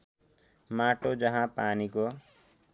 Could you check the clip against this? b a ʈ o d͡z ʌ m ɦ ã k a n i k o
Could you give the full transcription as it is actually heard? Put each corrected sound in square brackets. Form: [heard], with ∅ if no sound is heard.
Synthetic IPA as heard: [m] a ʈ o d͡z ʌ [∅] ɦ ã [p] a n i k o

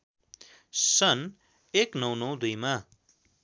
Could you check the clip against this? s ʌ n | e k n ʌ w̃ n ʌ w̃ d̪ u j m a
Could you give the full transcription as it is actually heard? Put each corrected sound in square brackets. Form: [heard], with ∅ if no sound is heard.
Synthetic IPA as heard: s ʌ n | e k n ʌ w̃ n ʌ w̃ d̪ u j m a

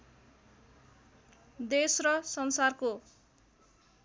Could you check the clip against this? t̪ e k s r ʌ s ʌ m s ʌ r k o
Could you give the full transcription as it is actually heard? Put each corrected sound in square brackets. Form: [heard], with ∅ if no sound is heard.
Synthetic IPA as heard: [d̪] e [∅] s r ʌ s ʌ [n] s [a] r k o

